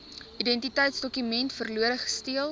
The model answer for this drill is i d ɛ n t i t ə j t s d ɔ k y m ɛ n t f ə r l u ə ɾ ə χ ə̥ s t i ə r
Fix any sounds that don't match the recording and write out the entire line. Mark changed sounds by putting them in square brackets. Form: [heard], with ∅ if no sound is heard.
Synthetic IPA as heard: i d ɛ n t i t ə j t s d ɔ k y m ɛ n t f ə r l u ə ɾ ə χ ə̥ s t i ə [l]